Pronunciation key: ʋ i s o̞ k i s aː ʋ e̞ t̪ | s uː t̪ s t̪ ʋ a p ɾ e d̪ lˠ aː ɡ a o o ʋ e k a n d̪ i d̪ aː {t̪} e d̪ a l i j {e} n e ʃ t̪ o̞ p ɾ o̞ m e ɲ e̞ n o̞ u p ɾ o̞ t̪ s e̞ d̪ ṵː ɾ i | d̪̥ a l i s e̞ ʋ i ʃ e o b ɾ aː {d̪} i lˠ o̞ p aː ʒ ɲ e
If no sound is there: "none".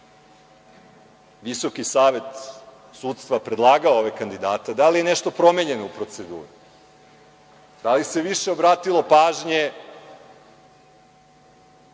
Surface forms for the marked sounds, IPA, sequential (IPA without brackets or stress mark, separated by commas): t̪, e, t̪